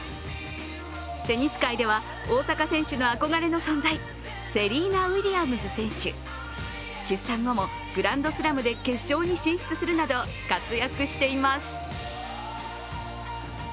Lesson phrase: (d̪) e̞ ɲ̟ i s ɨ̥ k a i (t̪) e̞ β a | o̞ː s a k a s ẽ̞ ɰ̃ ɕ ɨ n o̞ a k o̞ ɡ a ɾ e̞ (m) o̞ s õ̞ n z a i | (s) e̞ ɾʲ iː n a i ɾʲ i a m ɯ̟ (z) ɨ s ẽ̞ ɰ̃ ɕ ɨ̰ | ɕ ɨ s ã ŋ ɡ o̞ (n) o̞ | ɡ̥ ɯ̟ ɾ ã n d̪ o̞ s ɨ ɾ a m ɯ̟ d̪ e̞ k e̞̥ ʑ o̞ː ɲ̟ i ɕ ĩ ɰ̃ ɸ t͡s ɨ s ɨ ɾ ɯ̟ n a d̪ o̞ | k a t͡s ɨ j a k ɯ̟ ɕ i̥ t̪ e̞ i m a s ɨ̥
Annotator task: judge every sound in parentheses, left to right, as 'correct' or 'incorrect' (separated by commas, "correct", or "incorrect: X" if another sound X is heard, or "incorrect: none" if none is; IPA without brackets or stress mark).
incorrect: t̪, incorrect: d̪, incorrect: n, correct, correct, incorrect: m